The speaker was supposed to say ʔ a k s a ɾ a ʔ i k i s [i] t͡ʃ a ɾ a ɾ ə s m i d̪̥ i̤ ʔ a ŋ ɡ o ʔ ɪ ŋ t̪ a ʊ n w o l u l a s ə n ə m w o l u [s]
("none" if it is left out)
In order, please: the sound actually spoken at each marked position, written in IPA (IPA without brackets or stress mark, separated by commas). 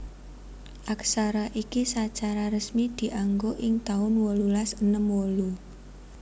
a, none